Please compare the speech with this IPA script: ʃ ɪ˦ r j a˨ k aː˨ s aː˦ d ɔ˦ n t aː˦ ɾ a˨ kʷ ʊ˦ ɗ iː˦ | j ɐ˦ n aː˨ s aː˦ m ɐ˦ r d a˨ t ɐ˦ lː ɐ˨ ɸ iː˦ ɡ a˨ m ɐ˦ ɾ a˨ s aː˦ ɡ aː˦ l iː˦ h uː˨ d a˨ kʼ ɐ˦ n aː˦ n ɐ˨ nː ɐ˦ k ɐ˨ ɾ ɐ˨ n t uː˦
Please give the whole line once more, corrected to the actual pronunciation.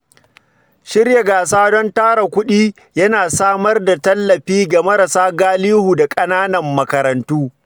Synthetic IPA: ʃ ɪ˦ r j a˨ ɡ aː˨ s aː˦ d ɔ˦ n t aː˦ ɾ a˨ kʷ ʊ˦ ɗ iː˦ | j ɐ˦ n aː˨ s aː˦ m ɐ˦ r d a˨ t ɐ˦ lː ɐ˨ ɸ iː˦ ɡ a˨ m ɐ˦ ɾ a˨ s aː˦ ɡ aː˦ l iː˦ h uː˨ d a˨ kʼ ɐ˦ n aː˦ n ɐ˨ mː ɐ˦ k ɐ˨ ɾ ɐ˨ n t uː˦